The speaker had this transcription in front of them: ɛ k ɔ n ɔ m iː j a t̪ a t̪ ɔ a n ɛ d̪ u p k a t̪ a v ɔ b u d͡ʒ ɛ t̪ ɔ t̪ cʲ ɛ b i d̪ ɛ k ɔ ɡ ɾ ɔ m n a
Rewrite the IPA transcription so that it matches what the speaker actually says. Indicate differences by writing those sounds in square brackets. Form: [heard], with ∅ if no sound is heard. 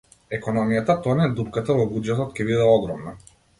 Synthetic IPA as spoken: ɛ k ɔ n ɔ m [i] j a t̪ a t̪ ɔ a n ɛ d̪ u p k a t̪ a v ɔ b u d͡ʒ ɛ t̪ ɔ t̪ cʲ ɛ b i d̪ ɛ [∅] ɔ ɡ ɾ ɔ m n a